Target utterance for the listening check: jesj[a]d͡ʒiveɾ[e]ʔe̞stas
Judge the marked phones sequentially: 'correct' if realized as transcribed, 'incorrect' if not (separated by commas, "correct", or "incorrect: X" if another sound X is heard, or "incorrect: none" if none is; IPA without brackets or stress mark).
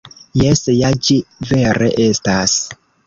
correct, correct